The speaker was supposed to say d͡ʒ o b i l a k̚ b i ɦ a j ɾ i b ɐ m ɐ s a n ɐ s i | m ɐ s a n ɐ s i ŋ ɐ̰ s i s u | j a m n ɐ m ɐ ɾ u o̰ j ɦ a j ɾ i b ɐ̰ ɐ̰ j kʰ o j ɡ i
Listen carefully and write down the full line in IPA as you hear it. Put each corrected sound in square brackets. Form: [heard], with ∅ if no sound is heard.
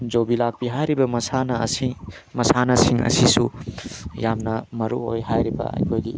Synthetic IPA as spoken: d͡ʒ o b i l a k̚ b i ɦ a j ɾ i b ɐ m ɐ s a n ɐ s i | m ɐ s a n ɐ s i ŋ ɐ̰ s i s u | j a m n ɐ m ɐ ɾ u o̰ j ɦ a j ɾ i b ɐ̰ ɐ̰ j kʰ o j ɡ i